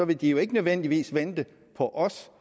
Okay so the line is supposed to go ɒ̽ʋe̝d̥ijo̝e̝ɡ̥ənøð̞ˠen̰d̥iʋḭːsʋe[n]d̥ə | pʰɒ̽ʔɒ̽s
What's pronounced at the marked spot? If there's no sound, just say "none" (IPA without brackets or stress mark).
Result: n